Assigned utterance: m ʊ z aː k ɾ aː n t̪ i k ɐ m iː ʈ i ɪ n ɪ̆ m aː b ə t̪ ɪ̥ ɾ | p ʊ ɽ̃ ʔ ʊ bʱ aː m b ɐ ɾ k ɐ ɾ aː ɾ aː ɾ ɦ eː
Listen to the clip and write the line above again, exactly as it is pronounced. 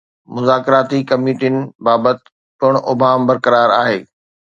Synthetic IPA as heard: m ʊ z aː k ɾ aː t̪ i k ɐ m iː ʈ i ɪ n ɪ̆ b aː b ə t̪ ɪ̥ | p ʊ ɽ̃ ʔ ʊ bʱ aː m b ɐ ɾ k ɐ ɾ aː ɾ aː ɦ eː